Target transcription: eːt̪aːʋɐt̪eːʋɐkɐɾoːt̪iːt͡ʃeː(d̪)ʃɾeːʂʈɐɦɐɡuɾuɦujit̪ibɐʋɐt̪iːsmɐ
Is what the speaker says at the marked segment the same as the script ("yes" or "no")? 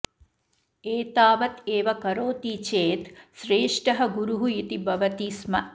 no